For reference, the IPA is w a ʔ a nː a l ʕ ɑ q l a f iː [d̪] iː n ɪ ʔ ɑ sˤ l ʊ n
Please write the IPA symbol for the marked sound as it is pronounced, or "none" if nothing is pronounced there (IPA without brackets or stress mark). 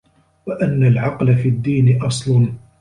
d̪ː